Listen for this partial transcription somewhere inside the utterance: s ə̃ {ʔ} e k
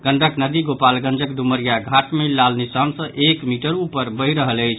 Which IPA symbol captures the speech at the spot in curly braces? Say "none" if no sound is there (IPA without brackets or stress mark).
ʔ